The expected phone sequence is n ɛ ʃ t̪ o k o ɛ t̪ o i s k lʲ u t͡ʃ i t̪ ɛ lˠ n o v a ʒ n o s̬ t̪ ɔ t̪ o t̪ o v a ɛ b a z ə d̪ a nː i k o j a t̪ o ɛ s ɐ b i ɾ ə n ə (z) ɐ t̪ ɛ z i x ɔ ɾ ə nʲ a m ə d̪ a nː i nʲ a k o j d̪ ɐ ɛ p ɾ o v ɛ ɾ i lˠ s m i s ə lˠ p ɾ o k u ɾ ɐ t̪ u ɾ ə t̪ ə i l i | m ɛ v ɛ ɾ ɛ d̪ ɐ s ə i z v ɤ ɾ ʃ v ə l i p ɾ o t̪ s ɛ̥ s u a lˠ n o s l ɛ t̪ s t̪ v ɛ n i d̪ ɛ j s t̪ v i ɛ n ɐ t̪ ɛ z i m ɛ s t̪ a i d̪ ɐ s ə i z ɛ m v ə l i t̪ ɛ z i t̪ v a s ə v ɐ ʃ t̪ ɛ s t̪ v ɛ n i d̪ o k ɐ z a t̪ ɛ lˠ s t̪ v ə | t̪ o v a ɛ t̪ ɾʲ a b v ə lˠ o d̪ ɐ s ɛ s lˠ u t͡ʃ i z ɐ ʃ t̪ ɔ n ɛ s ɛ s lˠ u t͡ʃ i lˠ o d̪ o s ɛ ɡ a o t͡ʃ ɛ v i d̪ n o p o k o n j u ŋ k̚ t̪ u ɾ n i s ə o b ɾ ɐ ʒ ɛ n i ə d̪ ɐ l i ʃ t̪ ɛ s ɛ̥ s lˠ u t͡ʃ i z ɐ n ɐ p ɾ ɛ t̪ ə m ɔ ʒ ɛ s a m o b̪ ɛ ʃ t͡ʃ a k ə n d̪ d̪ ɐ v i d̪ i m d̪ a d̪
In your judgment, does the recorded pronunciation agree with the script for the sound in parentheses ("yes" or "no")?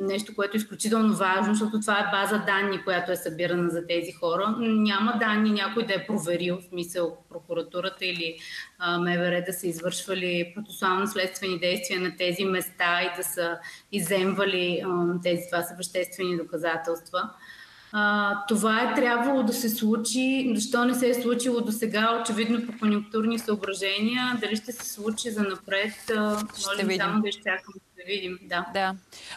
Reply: yes